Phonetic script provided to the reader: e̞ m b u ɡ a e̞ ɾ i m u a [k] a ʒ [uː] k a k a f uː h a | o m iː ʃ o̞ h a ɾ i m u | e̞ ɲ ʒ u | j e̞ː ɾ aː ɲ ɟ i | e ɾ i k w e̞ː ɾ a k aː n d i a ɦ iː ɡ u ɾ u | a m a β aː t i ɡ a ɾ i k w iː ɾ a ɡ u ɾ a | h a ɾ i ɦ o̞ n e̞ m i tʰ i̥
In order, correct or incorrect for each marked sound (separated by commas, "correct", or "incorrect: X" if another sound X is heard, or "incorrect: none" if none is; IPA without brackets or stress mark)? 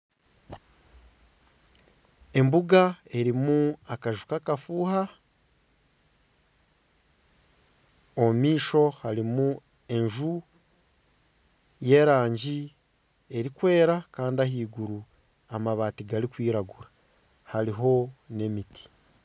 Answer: correct, incorrect: u